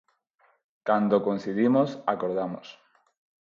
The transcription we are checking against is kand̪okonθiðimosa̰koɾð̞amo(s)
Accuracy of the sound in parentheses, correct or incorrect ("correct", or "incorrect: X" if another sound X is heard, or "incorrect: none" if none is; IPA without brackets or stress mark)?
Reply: correct